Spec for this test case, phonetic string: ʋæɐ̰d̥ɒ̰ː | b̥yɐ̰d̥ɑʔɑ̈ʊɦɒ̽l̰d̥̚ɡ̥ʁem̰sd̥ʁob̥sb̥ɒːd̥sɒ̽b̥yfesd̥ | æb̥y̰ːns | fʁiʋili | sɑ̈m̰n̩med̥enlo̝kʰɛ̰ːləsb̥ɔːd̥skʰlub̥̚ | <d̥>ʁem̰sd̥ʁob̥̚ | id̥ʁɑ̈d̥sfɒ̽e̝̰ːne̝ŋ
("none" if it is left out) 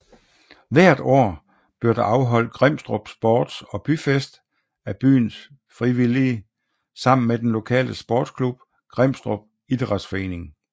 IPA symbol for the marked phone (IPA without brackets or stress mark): ɡ̥